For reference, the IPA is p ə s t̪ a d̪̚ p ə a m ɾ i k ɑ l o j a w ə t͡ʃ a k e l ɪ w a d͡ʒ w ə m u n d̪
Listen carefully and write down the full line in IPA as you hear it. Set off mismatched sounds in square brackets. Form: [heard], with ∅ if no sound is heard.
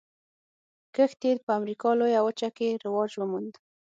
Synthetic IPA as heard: [k] ə [x] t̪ [e] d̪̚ p ə a m ɾ i k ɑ l o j a w ə t͡ʃ a k e [ɾ] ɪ w [ɑ] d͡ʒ w ə m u n d̪